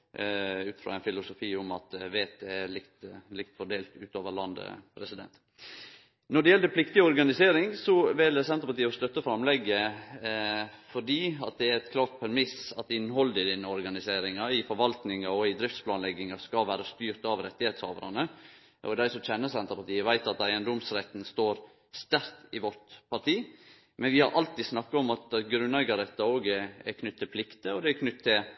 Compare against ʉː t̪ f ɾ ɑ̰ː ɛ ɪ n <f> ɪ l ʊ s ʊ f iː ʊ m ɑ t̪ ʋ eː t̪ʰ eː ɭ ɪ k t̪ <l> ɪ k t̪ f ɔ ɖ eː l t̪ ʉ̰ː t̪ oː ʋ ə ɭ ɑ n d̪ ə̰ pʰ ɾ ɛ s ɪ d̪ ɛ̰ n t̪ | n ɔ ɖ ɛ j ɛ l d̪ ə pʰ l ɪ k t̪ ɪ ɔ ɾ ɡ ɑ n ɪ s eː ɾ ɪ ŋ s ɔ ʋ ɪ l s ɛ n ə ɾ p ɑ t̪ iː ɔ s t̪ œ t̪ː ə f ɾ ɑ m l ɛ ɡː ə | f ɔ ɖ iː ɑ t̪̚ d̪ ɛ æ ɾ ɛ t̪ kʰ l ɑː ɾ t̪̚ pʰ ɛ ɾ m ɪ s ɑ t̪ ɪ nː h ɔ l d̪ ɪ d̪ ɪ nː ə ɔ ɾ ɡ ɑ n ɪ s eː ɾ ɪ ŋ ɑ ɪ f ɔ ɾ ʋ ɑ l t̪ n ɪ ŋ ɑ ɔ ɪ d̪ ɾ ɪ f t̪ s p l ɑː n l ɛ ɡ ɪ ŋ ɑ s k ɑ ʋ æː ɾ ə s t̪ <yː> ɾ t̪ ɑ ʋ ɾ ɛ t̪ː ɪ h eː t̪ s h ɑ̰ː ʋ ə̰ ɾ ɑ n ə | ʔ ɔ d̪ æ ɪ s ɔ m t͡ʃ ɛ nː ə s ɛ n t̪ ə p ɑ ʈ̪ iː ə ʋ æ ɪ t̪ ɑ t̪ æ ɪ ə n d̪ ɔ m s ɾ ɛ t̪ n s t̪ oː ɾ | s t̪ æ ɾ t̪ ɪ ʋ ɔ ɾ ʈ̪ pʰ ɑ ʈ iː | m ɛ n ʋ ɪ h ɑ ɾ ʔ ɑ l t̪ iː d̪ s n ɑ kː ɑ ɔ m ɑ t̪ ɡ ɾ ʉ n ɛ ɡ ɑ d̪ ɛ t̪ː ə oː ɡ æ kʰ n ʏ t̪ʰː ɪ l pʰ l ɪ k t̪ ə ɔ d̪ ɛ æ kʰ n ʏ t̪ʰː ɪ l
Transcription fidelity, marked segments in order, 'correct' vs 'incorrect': correct, correct, correct

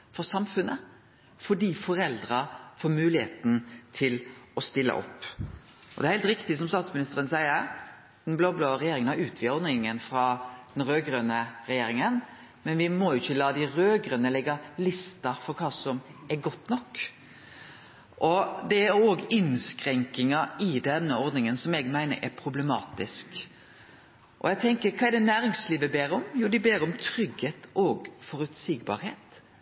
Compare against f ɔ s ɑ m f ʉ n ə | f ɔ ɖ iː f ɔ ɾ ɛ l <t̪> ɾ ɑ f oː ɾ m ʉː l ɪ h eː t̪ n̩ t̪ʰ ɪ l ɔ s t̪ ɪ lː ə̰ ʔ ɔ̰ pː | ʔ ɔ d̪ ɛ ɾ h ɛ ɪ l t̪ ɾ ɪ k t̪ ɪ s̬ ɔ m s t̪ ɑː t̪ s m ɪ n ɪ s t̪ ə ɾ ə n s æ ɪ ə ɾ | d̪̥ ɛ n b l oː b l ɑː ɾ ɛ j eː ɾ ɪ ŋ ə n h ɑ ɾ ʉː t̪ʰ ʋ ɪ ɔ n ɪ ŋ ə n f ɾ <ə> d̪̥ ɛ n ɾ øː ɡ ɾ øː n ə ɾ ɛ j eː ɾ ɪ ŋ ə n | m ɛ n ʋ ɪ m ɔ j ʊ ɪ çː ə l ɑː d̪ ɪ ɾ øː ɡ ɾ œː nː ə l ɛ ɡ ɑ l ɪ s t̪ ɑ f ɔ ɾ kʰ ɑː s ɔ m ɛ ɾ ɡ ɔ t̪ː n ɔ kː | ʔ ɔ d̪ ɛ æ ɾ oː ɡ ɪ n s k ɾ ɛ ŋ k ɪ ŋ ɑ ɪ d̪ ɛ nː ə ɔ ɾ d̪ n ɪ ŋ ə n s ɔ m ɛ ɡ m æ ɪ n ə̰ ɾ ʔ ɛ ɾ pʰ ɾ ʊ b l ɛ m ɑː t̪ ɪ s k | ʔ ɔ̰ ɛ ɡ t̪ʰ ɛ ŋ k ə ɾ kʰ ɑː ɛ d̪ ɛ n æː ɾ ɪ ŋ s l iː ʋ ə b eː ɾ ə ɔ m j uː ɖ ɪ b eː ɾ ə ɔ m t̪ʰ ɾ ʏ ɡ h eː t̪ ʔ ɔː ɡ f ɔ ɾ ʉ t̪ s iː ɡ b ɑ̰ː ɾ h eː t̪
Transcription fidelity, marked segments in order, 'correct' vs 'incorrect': incorrect: d̪, incorrect: ɑ

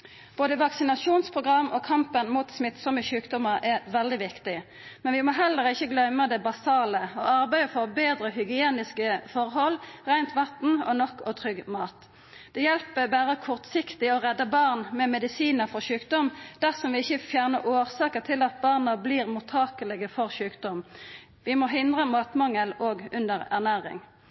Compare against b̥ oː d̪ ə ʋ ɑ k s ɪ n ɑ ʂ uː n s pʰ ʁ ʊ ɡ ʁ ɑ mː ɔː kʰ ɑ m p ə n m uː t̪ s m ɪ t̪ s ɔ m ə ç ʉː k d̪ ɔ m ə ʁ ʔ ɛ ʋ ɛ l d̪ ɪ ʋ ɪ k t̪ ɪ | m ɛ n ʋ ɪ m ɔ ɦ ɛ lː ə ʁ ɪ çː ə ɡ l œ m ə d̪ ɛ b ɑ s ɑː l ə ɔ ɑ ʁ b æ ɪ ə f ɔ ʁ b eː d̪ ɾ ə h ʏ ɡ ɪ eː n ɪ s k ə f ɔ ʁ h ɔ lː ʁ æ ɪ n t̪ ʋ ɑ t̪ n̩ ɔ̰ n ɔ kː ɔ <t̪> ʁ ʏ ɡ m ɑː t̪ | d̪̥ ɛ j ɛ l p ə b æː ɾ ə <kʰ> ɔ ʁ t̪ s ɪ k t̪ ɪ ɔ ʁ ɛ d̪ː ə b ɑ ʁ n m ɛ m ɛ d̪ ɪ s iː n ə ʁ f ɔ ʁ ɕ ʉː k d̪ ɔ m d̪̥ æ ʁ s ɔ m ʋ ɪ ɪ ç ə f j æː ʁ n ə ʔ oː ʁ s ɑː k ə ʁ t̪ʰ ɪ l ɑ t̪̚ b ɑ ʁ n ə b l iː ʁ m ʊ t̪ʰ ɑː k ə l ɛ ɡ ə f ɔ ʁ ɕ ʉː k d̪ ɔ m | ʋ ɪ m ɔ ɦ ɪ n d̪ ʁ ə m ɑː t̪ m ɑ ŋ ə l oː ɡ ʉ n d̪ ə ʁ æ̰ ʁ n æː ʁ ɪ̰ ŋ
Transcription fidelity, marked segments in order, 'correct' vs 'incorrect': incorrect: t̪ʰ, correct

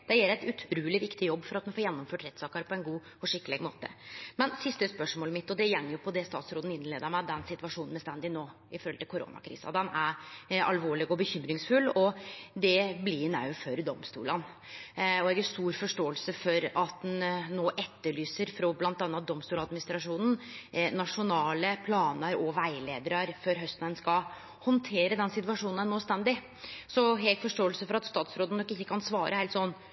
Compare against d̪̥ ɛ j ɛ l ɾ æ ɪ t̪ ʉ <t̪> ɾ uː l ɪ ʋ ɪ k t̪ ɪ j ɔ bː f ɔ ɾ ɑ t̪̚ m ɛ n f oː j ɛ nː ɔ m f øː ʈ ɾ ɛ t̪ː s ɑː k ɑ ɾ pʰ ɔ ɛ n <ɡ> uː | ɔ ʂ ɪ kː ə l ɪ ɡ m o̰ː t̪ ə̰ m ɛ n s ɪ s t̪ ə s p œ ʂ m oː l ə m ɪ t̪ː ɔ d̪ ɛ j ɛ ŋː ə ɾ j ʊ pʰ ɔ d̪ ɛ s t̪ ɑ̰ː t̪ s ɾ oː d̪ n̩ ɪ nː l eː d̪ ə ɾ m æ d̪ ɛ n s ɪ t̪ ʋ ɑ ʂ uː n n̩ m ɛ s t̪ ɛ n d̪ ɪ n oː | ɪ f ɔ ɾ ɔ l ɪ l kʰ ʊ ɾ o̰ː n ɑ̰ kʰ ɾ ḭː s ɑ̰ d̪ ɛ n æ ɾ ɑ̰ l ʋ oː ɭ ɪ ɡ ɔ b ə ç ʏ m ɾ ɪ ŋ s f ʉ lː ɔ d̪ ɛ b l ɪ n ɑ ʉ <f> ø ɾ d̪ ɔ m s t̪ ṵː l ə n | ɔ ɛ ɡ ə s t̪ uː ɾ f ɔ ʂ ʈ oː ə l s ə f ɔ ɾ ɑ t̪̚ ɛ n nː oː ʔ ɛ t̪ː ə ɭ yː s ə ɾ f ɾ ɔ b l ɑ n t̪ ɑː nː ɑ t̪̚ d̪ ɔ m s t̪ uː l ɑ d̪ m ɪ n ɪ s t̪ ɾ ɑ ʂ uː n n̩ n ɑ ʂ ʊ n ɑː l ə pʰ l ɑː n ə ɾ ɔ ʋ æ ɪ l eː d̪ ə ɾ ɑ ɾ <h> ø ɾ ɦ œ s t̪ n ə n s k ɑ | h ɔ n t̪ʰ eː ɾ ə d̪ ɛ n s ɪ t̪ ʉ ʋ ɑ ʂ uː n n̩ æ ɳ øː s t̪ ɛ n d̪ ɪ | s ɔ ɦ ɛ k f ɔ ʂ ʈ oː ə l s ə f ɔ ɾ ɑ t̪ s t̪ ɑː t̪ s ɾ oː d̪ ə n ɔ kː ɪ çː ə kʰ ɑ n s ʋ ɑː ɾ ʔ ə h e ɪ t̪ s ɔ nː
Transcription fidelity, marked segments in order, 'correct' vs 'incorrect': incorrect: t̪ʰ, correct, correct, incorrect: f

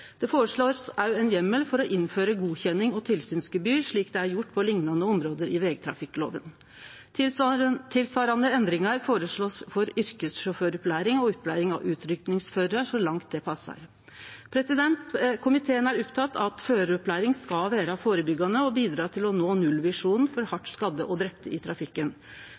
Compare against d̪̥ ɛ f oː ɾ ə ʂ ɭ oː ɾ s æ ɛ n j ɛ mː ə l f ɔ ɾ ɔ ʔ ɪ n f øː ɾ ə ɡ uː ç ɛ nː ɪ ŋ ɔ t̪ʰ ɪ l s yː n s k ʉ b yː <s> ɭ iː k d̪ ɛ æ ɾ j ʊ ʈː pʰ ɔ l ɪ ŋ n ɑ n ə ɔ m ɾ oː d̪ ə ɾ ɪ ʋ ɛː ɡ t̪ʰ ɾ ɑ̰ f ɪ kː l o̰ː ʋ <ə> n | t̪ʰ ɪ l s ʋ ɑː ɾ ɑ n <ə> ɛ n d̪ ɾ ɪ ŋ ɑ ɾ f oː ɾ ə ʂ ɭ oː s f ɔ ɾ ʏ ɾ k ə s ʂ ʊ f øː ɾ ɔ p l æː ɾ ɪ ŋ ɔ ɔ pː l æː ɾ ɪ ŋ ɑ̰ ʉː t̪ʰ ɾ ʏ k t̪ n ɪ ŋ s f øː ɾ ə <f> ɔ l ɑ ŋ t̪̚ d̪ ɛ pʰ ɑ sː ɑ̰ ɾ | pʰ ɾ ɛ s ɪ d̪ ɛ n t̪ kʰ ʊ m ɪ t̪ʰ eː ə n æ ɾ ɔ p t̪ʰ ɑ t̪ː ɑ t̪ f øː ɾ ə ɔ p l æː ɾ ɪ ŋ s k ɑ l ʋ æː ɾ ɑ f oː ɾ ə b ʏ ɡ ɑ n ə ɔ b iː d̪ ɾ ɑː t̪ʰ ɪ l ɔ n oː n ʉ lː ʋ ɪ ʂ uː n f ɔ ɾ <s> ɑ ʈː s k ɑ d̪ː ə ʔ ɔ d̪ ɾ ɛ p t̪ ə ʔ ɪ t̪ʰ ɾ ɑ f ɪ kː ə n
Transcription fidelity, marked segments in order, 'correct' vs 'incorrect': incorrect: ʂ, correct, correct, incorrect: ʂ, incorrect: h

